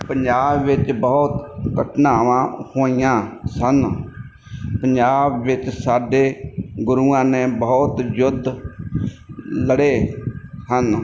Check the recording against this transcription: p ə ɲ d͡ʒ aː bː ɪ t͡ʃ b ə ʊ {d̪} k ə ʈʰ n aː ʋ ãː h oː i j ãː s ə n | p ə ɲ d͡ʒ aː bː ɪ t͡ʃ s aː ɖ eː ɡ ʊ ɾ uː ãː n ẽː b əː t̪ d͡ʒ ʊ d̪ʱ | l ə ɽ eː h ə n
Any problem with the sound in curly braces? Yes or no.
yes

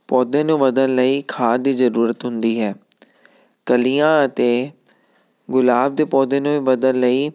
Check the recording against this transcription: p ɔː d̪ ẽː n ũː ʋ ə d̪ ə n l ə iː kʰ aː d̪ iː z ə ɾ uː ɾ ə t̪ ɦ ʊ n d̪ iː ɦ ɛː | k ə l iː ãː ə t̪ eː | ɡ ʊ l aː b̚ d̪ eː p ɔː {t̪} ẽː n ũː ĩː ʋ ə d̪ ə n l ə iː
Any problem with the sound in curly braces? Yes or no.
yes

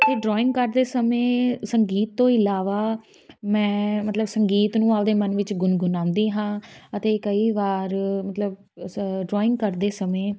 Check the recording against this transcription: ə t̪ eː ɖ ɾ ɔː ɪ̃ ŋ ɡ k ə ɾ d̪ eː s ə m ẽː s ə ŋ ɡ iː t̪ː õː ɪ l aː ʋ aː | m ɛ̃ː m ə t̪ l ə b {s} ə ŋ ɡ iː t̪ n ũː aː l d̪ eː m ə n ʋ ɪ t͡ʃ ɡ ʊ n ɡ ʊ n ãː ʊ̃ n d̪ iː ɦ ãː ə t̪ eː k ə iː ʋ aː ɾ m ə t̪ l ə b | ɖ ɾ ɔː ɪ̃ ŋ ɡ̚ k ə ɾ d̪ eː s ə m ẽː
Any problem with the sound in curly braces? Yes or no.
no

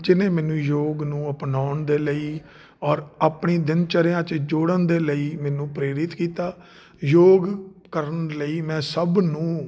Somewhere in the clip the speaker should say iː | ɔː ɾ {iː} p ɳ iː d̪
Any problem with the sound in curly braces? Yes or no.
yes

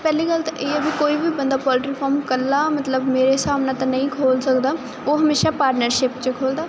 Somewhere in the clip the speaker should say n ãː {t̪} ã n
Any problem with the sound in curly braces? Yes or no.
no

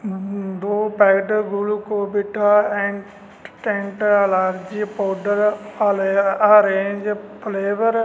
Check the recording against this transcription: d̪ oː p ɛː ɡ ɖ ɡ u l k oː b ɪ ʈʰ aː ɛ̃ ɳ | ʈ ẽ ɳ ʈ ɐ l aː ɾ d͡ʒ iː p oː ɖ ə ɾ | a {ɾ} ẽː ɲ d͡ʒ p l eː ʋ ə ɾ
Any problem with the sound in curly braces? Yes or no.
no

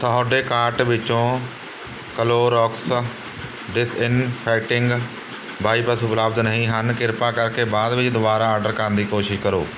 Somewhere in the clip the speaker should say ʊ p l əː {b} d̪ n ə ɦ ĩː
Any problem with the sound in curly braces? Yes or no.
no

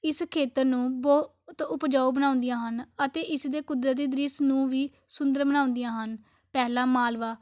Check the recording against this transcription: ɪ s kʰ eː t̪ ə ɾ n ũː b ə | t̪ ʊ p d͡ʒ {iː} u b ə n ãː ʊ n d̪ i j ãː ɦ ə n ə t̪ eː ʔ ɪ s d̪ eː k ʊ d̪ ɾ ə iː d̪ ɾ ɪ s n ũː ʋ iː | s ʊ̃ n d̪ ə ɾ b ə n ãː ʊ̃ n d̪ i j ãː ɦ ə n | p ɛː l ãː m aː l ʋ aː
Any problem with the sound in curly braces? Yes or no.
yes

